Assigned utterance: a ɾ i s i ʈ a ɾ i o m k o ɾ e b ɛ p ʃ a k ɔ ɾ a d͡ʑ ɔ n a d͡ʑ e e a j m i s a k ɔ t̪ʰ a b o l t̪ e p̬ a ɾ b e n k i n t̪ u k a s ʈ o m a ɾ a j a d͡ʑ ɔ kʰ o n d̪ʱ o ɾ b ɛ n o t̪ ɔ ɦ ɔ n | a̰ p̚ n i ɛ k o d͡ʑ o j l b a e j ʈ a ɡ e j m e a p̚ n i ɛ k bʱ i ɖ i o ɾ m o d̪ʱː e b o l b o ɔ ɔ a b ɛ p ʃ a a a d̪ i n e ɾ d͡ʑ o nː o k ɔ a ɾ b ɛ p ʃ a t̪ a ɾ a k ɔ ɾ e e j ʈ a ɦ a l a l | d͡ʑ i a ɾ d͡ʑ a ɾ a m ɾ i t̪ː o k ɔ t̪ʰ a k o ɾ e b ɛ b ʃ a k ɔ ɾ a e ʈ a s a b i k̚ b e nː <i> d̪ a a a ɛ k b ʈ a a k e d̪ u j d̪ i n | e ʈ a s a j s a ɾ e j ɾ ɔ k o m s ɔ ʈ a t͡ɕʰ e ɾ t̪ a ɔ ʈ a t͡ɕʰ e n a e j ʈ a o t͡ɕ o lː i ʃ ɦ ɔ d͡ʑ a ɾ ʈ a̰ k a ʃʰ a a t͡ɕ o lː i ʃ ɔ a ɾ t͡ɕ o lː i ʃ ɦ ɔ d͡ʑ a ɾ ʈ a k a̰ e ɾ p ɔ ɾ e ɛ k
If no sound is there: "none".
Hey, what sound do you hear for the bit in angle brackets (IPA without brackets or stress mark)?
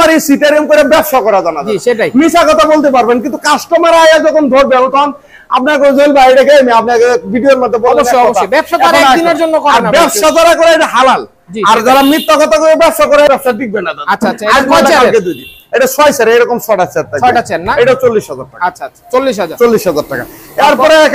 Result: a